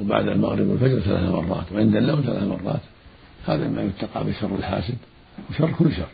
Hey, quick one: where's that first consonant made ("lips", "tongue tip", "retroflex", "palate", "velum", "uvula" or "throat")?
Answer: lips